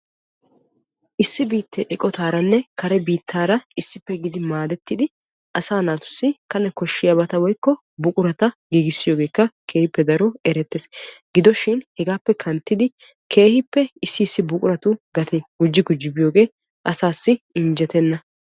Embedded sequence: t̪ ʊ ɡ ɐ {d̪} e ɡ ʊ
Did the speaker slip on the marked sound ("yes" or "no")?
yes